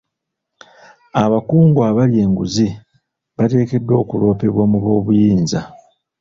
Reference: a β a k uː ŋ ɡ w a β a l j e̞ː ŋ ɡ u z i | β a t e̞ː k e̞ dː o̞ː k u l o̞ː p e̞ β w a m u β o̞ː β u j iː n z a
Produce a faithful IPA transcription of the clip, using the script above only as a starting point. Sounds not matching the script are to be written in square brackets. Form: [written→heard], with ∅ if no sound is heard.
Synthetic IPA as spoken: a β a k uː ŋ ɡ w a β a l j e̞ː ŋ ɡ u z i | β a t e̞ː k e̞ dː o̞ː k u l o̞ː p e̞ β w a m u β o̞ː β u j iː n z a

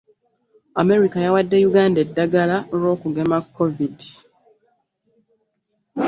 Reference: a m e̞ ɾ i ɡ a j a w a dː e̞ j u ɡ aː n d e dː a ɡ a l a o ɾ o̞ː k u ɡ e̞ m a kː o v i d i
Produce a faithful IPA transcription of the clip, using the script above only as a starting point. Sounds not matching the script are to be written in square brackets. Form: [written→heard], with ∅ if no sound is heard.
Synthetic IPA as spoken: a m e̞ ɾ i [ɡ→k] a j a w a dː e̞ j u ɡ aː n d e dː a ɡ a l a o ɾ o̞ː k u ɡ e̞ m a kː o v i d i

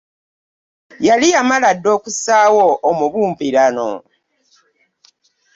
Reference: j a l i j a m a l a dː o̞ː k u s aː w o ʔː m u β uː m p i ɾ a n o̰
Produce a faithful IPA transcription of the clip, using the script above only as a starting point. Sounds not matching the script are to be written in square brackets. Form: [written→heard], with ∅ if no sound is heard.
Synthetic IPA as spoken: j a l i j a m a l a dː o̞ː k u s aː w o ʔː m u β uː m p i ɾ a n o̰

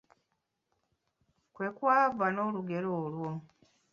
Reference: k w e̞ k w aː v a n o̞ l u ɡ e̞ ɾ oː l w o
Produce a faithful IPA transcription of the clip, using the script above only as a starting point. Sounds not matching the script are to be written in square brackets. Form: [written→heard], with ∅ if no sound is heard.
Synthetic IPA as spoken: k w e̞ k w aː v a n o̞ l u ɡ e̞ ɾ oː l w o

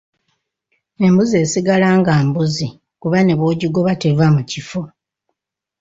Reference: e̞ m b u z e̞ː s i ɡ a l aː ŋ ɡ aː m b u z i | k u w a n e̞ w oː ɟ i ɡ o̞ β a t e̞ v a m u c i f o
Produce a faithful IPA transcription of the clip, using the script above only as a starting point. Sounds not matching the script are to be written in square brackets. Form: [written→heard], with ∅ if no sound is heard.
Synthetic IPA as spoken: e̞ m b u z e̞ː s i ɡ a l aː ŋ ɡ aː m b u z i | k u [w→β] a n e̞ [w→β] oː ɟ i ɡ o̞ β a t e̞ v a m u c i f o

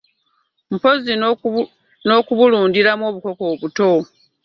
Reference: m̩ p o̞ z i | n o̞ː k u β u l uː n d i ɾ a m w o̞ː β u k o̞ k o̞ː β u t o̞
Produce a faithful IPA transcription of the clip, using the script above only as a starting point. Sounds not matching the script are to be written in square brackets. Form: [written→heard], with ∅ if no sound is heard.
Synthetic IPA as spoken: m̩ p o̞ z i | n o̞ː k u β u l uː n d i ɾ a m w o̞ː β u k o̞ k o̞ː β u t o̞

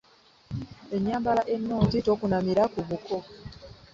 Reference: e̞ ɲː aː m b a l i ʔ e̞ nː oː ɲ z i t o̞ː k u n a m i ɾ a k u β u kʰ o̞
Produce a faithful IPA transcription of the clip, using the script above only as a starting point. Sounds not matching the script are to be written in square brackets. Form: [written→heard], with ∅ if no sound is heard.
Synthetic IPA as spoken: e̞ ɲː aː m b a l [i→a] ʔ e̞ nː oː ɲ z i t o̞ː k u n a m i ɾ a k u β u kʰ o̞

